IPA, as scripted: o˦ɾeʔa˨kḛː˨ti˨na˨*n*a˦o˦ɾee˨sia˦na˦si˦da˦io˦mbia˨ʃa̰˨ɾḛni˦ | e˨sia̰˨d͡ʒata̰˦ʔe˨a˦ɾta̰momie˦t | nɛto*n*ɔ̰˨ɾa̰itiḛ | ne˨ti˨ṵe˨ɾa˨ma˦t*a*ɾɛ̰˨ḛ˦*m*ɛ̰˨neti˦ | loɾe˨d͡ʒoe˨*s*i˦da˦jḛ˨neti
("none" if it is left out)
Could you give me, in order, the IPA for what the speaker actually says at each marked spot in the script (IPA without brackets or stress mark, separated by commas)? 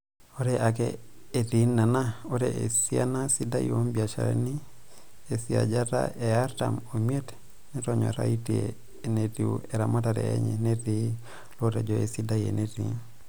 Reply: n, ɲ, a, ɲ, s